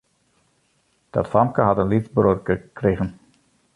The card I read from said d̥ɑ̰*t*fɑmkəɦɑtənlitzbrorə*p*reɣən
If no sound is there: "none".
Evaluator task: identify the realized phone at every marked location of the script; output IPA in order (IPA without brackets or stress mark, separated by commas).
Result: t, k